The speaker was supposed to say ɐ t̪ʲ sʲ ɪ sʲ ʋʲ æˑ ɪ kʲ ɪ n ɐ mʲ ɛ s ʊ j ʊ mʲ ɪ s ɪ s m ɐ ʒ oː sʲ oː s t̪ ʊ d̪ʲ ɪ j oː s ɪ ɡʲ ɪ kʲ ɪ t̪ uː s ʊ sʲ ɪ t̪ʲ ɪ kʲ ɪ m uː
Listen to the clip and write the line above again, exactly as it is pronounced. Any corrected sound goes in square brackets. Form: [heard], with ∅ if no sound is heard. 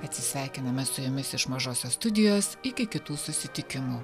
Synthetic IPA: ɐ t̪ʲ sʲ ɪ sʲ ʋʲ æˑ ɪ kʲ ɪ n ɐ mʲ ɛ s ʊ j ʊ mʲ ɪ s ɪ [ʃ] m ɐ ʒ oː sʲ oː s t̪ ʊ d̪ʲ ɪ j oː s ɪ [kʲ] ɪ kʲ ɪ t̪ uː s ʊ sʲ ɪ t̪ʲ ɪ kʲ ɪ m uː

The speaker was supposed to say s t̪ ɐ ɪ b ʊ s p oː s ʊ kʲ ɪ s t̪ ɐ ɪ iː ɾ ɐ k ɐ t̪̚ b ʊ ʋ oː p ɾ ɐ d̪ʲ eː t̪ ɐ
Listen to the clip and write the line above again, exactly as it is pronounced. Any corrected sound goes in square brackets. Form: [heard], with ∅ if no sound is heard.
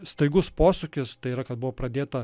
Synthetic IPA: s t̪ ɐ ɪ [ɡ] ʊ s p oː s ʊ kʲ ɪ s t̪ ɐ ɪ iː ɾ ɐ k ɐ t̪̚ b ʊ ʋ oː p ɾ ɐ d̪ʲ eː t̪ ɐ

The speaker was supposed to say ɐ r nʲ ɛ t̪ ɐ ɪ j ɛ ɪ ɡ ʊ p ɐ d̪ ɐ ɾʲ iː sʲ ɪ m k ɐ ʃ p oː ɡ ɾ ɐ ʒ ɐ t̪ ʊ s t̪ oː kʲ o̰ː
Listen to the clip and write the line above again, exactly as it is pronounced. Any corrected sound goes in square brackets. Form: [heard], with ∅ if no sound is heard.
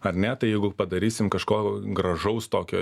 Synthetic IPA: ɐ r nʲ ɛ t̪ ɐ ɪ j ɛ ɪ ɡ ʊ p ɐ d̪ ɐ ɾʲ iː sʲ ɪ m k ɐ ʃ [k] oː ɡ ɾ ɐ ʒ ɐ [∅] ʊ s t̪ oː kʲ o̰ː

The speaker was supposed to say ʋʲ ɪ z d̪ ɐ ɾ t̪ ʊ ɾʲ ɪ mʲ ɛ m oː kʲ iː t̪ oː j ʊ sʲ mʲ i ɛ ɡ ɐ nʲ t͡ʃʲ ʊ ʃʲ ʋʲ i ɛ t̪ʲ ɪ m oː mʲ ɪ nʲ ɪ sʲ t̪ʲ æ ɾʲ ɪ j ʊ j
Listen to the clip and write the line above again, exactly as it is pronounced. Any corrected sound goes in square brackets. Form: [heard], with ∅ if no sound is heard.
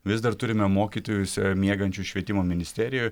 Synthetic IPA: ʋʲ ɪ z d̪ ɐ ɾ t̪ ʊ ɾʲ ɪ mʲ ɛ m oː kʲ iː t̪ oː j ʊ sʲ mʲ i ɛ ɡ ɐ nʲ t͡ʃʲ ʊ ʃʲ ʋʲ i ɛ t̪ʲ ɪ m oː mʲ ɪ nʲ ɪ sʲ t̪ʲ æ ɾʲ ɪ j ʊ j

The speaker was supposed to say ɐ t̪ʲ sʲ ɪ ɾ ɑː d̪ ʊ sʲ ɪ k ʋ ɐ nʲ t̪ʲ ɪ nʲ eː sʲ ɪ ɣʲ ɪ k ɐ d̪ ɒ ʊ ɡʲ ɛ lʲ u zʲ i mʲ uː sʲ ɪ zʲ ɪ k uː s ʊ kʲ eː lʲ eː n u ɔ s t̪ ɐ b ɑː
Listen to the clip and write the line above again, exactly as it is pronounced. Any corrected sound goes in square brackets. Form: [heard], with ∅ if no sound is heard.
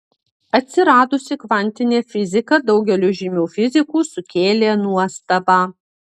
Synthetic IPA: ɐ t̪ʲ sʲ ɪ ɾ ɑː d̪ ʊ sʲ ɪ k ʋ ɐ nʲ t̪ʲ ɪ nʲ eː [fʲ] ɪ [zʲ] ɪ k ɐ d̪ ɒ ʊ ɡʲ ɛ lʲ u [ʒʲ] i mʲ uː [fʲ] ɪ zʲ ɪ k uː s ʊ kʲ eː lʲ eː n u ɔ s t̪ ɐ b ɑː

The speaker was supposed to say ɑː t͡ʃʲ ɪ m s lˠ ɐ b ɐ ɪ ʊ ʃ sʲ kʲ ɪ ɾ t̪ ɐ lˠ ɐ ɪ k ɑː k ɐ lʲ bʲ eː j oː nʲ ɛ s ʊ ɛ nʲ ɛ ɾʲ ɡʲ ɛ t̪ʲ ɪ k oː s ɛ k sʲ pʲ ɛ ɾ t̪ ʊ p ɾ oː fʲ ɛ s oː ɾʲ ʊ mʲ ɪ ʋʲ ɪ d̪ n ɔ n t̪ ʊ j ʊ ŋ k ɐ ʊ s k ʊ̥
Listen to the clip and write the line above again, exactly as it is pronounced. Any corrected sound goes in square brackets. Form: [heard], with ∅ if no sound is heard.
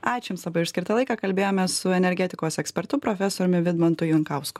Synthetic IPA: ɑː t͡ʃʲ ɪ m s lˠ ɐ b ɐ ɪ ʊ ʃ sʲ kʲ ɪ ɾ t̪ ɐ lˠ ɐ ɪ k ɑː k ɐ lʲ bʲ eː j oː [mʲ] ɛ s ʊ ɛ nʲ ɛ ɾʲ ɡʲ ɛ t̪ʲ ɪ k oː s ɛ k sʲ pʲ ɛ ɾ t̪ ʊ p ɾ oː fʲ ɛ s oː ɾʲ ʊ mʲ ɪ ʋʲ ɪ d̪ [m] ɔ n t̪ ʊ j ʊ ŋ k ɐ ʊ s k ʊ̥

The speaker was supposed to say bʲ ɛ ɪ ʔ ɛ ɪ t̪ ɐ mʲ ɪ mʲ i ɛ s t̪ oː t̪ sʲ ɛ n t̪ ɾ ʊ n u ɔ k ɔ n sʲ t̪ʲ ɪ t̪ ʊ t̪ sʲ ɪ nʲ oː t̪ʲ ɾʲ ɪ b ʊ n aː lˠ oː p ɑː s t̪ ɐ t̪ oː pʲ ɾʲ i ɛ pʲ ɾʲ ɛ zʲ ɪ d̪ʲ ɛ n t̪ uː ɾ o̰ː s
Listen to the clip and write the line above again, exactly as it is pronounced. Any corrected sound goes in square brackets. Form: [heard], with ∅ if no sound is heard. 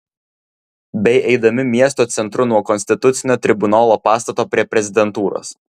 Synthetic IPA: bʲ ɛ ɪ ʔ ɛ ɪ [d̪] ɐ mʲ ɪ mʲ i ɛ s t̪ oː t̪ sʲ ɛ n t̪ ɾ ʊ n u ɔ k ɔ n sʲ t̪ʲ ɪ t̪ ʊ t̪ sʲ ɪ nʲ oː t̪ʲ ɾʲ ɪ b ʊ n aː lˠ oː p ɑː s t̪ ɐ t̪ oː pʲ ɾʲ i ɛ pʲ ɾʲ ɛ zʲ ɪ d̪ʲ ɛ n t̪ uː ɾ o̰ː s

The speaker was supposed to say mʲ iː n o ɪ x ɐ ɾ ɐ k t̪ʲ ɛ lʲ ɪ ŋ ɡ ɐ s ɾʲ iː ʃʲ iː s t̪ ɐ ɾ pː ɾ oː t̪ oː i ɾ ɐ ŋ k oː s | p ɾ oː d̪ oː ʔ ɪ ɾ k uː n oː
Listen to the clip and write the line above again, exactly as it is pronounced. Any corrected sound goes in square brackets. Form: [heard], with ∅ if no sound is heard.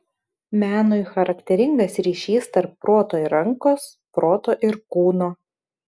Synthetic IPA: mʲ [æː] n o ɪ x ɐ ɾ ɐ k t̪ʲ ɛ [ɾʲ] ɪ ŋ ɡ ɐ s ɾʲ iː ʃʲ iː s t̪ ɐ ɾ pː ɾ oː t̪ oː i ɾ ɐ ŋ k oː s | p ɾ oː [t̪] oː ʔ ɪ ɾ k uː n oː

